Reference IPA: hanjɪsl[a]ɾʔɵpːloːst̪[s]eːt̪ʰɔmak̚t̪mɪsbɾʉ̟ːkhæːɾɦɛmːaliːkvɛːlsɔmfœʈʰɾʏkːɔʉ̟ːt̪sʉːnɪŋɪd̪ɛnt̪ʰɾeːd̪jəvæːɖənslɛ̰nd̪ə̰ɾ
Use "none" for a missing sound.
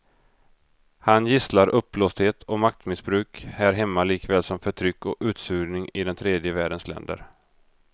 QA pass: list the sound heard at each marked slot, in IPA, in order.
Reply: a, h

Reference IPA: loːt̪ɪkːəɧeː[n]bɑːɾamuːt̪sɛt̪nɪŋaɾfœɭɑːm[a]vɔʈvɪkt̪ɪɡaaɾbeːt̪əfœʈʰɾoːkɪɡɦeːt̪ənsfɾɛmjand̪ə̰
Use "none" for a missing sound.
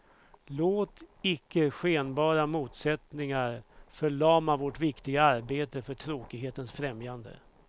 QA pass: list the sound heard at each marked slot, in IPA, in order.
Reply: n, a

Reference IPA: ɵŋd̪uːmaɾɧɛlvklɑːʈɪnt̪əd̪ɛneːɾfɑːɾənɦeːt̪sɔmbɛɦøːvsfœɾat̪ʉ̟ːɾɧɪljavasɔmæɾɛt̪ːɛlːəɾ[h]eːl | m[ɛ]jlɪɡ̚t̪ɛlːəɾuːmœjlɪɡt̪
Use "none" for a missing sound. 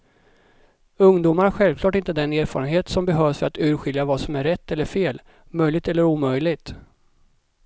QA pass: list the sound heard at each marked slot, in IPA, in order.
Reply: f, œ

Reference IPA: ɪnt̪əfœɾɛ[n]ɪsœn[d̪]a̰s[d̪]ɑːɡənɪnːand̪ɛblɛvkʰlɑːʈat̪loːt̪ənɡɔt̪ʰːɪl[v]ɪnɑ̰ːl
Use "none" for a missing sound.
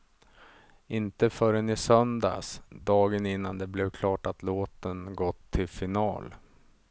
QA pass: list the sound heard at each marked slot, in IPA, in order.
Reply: n, d̪, d̪, f

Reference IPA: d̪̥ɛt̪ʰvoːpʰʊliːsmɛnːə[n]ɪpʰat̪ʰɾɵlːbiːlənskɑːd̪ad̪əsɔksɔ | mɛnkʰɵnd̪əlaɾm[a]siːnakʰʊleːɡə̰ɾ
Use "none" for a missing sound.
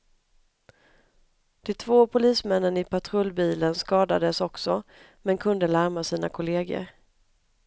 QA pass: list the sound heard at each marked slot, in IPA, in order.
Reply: n, a

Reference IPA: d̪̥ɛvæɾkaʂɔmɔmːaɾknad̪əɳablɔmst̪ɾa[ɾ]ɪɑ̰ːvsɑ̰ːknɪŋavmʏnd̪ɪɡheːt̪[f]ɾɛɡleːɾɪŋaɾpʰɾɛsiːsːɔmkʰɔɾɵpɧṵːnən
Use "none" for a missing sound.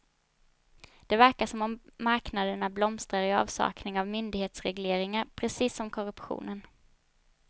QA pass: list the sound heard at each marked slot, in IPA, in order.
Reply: ɾ, s

